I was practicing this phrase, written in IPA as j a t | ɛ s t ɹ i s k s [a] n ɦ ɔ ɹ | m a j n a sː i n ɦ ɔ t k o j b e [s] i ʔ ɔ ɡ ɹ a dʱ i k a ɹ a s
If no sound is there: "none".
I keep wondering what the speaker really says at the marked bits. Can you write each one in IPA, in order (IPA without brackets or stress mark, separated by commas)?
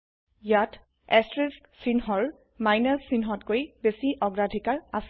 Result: i, s